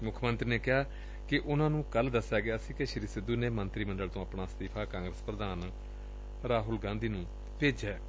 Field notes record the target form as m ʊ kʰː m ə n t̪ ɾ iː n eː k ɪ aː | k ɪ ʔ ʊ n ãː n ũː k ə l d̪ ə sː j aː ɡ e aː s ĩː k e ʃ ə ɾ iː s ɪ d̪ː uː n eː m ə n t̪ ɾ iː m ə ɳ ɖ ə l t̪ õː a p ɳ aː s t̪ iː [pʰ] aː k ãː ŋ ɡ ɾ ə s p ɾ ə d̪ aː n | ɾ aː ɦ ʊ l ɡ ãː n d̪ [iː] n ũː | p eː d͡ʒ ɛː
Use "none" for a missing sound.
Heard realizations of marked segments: pʰ, iː

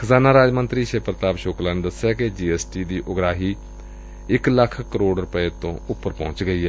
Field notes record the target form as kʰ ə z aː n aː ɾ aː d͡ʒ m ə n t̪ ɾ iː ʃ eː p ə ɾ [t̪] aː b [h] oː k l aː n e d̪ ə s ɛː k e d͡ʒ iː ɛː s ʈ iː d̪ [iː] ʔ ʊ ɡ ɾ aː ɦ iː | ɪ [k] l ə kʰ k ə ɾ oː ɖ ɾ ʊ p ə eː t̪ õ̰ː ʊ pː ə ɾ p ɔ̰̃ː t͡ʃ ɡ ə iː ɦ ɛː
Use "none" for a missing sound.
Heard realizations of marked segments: t̪, ʃ, iː, k

